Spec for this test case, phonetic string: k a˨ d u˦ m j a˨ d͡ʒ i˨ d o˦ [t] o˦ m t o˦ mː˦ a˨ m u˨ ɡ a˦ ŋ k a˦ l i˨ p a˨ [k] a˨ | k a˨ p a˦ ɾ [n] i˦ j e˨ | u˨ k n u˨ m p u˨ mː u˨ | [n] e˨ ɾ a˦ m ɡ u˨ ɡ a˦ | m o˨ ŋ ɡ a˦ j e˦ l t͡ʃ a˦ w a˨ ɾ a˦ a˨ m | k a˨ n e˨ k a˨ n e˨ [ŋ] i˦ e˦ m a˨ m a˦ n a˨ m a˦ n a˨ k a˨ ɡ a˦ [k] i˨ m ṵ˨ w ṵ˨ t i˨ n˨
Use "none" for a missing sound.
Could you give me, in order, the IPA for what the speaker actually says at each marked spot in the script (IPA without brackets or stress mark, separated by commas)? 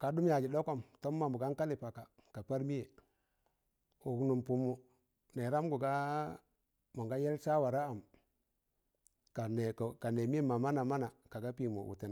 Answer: k, k, m, n, m, p